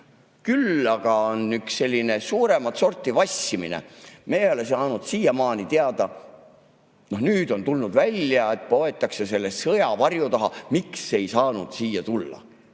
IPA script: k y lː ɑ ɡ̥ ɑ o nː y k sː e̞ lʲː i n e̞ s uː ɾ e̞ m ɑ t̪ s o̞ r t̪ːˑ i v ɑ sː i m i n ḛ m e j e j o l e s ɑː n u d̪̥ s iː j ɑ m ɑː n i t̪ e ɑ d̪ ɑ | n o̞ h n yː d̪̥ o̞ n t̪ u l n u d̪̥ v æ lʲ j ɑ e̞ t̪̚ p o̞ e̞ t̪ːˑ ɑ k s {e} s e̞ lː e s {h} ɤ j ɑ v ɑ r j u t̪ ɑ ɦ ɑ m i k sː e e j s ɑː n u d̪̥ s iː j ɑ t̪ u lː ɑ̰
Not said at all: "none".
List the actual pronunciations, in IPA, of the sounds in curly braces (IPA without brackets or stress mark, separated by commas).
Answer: e, s